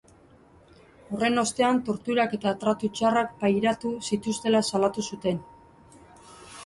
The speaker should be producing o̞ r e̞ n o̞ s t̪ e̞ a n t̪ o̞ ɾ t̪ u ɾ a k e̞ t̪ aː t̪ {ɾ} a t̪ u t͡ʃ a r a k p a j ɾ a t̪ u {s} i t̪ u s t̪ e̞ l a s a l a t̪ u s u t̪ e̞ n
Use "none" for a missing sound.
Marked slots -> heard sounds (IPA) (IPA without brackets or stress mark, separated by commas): ɾ, s